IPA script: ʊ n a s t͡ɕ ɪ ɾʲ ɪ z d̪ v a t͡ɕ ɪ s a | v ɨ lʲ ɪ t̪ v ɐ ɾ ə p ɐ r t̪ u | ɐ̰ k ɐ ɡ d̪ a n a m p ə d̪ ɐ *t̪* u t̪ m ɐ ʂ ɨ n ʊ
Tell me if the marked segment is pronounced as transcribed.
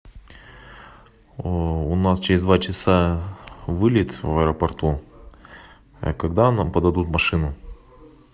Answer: no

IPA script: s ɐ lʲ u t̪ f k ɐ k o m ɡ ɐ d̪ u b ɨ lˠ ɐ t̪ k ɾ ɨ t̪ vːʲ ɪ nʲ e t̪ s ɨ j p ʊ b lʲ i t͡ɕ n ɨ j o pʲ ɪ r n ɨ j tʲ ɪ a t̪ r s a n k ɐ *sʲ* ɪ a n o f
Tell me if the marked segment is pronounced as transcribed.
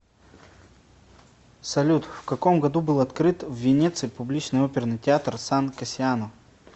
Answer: yes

